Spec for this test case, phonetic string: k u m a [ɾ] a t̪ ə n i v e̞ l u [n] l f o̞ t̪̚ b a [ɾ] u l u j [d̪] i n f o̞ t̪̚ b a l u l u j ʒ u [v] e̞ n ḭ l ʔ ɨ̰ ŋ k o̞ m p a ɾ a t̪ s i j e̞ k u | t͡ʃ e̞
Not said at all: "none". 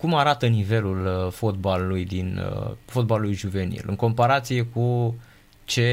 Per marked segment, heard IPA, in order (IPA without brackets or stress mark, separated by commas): ɾ, none, l, d̪, v